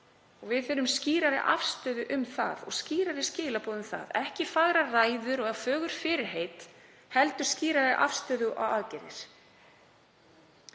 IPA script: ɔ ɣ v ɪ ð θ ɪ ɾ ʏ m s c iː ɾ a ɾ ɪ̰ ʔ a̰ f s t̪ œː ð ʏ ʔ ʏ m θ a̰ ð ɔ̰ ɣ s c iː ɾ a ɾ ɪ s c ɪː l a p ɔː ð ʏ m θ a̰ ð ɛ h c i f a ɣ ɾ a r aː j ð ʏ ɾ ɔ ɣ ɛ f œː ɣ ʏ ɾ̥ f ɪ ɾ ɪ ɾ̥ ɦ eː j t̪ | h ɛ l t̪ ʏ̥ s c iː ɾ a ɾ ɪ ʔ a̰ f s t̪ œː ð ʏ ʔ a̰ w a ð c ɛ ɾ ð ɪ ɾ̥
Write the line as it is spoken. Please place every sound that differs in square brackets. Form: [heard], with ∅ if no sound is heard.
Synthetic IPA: ɔ ɣ v ɪ ð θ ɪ ɾ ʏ m s c iː ɾ a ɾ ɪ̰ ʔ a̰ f s t̪ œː ð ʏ ʔ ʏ m θ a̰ ð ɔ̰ ɣ s c iː ɾ a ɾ ɪ s c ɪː l a p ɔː ð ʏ m θ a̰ ð ɛ h c [ɪ] f a ɣ ɾ a r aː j ð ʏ ɾ ɔ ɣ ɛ f œː ɣ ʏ ɾ̥ f ɪ ɾ ɪ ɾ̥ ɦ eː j t̪ | h ɛ l t̪ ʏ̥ s c iː ɾ a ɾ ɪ ʔ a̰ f s t̪ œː ð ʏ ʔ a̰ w a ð c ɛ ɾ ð ɪ ɾ̥

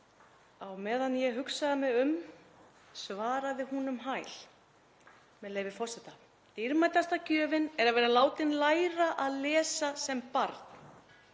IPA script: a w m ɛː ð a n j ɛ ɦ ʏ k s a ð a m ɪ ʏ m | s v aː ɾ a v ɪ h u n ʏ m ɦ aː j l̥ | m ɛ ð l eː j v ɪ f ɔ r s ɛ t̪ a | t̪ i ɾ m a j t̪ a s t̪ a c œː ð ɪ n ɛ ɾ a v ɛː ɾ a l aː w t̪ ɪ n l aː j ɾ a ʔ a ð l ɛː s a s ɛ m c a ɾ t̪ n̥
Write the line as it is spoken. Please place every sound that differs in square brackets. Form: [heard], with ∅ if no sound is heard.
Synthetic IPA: a w m ɛː ð a n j ɛ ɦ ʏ k s a ð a m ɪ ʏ m | s v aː ɾ a [ð] ɪ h u n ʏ m ɦ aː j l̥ | m ɛ ð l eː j v ɪ f ɔ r s ɛ t̪ a | t̪ i ɾ m a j t̪ a s t̪ a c œː [v] ɪ n ɛ ɾ a v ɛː ɾ a l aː w t̪ ɪ n l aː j ɾ a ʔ a ð l ɛː s a s ɛ m [p] a ɾ t̪ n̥

